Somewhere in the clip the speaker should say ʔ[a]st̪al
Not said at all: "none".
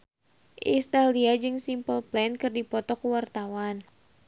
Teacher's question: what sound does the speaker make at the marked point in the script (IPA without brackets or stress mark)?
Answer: i